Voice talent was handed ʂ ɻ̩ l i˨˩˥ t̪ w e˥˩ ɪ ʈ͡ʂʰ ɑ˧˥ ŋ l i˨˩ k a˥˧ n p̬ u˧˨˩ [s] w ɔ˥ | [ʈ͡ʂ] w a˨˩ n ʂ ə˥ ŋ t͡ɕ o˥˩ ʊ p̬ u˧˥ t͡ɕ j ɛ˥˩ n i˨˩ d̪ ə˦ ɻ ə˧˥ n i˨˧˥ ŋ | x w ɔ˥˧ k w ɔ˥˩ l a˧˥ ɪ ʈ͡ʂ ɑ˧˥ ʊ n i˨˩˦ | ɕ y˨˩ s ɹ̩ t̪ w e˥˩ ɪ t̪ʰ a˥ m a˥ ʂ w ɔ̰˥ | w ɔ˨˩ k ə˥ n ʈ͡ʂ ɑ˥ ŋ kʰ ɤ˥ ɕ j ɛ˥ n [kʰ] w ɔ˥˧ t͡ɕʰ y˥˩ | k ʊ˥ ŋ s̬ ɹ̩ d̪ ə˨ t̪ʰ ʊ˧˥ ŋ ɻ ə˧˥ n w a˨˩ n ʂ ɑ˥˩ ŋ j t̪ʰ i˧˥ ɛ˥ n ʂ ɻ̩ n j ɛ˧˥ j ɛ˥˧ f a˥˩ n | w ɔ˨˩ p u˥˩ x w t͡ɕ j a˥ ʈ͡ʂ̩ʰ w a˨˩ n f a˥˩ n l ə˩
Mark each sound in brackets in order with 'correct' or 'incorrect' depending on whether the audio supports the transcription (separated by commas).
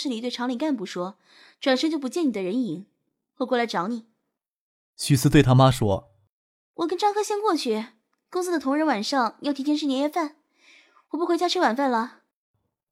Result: incorrect, correct, incorrect